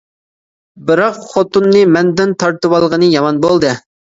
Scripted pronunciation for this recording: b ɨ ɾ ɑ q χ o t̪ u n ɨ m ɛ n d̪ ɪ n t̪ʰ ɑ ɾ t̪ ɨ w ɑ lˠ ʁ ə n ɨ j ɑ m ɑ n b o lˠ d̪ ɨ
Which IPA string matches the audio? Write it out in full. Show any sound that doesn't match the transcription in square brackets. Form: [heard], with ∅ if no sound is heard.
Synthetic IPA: b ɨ ɾ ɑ q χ o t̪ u [nː] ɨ m ɛ n d̪ ɪ n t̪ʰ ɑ ɾ t̪ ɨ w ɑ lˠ ʁ ə n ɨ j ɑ m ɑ n b o lˠ d̪ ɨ